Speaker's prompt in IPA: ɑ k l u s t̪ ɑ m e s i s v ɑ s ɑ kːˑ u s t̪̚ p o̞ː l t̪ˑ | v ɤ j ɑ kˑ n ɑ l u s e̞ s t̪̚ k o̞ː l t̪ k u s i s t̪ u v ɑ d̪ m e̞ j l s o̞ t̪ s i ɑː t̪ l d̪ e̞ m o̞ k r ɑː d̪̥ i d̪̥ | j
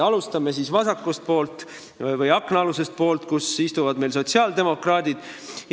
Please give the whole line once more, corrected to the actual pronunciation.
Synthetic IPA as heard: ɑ l u s t̪ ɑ m e s i s v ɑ s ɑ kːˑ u s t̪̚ p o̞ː l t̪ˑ | v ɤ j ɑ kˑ n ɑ l u s e̞ s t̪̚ p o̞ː l t̪ k u s i s t̪ u v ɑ d̪ m e̞ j l s o̞ t̪ s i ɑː l d̪ e̞ m o̞ k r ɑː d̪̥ i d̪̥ | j